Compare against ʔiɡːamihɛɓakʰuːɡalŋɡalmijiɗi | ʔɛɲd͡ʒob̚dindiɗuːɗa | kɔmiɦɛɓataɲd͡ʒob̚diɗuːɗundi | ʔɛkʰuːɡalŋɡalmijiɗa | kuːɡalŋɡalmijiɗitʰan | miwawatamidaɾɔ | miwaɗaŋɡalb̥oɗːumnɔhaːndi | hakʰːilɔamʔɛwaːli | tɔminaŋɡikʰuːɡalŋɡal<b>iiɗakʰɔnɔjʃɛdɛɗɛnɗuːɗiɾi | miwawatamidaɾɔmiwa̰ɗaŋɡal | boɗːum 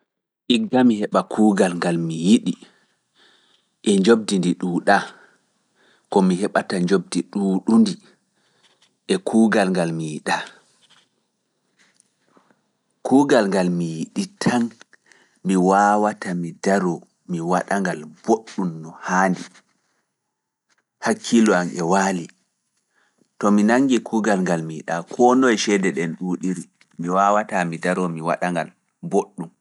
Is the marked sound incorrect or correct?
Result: incorrect